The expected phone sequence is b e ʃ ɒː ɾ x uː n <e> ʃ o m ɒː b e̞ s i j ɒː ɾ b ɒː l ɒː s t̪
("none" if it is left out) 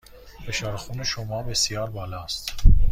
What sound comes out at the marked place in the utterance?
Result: e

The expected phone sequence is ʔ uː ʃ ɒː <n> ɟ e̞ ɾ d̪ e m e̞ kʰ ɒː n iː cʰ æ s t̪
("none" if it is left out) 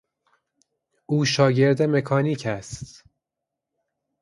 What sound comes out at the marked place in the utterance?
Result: none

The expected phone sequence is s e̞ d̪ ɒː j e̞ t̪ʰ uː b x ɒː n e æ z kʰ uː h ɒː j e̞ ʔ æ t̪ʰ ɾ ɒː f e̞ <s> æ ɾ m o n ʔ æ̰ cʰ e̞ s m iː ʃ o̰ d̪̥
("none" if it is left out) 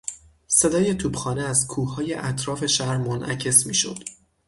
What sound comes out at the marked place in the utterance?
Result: ʃ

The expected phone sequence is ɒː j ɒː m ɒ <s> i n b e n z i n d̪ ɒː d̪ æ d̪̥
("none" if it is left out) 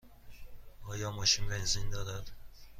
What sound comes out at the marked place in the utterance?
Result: ʃ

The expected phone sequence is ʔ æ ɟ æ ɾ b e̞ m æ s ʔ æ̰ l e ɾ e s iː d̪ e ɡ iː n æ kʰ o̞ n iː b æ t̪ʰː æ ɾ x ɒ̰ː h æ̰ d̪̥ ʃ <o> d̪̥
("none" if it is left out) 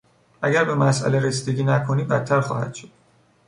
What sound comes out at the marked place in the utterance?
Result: o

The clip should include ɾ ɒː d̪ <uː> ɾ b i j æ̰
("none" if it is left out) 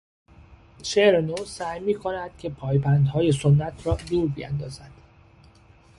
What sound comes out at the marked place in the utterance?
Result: uː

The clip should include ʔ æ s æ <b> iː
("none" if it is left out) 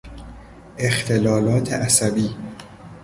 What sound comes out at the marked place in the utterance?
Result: b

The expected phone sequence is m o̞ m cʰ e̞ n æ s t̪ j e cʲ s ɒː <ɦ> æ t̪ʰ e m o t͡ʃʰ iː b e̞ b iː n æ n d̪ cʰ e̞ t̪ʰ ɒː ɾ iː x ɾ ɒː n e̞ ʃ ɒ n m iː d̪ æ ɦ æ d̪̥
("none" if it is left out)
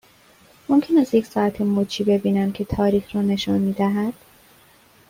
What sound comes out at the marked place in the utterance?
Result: none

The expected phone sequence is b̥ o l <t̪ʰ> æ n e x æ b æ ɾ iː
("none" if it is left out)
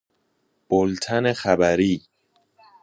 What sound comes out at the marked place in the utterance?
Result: t̪ʰ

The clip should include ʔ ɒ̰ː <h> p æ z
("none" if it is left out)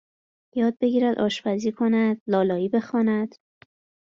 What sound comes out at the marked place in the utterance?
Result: ʃ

